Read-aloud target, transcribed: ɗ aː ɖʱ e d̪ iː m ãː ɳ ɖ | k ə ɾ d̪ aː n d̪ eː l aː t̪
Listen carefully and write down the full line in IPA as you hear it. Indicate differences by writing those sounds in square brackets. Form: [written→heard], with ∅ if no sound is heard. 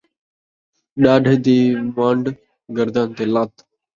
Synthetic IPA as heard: ɗ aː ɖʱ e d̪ iː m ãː ɳ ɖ | [k→ɡ] ə ɾ d̪ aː n [d̪→t̪] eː l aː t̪